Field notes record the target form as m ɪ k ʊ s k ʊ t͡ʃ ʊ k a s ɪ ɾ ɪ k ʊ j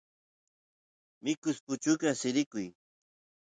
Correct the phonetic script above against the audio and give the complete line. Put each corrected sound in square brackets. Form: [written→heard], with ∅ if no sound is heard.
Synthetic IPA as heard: m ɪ k ʊ s [k→p] ʊ t͡ʃ ʊ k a s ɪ ɾ ɪ k ʊ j